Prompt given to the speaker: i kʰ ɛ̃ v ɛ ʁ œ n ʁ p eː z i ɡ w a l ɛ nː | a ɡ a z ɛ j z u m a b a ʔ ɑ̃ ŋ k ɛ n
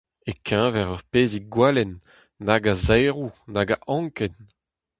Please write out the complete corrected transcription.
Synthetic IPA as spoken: e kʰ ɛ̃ v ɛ ʁ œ ʁ p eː z i ɡ w a l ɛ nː | a ɡ a z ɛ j ʁ u n a ɡ a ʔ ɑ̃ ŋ k ɛ n